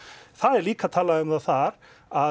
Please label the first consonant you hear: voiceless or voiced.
voiceless